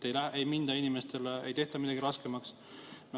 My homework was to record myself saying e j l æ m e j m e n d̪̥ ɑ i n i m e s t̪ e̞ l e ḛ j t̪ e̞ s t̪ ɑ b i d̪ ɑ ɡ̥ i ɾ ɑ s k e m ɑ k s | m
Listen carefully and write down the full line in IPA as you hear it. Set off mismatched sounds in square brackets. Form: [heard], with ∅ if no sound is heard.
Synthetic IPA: e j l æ [∅] e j m [i] n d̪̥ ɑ i n i m e s t̪ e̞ l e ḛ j t̪ e̞ [h] t̪ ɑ [m] i d̪ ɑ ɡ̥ i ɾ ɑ s k e m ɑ k s | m